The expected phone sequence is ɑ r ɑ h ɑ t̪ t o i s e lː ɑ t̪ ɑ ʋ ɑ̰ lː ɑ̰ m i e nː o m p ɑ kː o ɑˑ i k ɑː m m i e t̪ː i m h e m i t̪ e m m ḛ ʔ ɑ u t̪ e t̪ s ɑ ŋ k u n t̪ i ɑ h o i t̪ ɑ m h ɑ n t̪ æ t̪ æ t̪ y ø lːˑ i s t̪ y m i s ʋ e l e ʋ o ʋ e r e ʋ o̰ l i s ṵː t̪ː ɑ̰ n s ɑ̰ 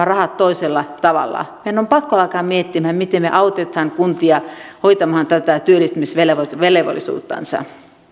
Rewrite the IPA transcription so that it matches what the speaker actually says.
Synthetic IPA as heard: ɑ r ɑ h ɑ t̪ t o i s e lː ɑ t̪ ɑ ʋ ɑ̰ lː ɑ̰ m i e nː o m p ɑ kː o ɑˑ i k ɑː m m i e t̪ː i m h æ m i t̪ e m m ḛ ʔ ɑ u t̪ e t̪ h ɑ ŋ k u n t̪ i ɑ h o i t̪ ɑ m h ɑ n t̪ æ t̪ æ t̪ y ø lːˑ i s t̪ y m i s ʋ e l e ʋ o ʋ e l e ʋ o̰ l i s ṵː t̪ː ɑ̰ n s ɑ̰